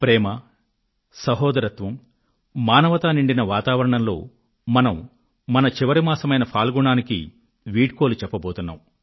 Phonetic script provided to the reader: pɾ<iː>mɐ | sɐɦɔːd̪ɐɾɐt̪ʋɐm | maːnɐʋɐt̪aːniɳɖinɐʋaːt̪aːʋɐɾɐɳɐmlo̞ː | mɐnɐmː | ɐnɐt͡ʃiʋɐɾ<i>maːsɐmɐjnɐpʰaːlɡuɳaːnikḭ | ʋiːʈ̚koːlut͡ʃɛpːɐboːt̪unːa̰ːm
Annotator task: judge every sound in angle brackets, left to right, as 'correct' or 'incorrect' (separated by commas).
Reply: incorrect, correct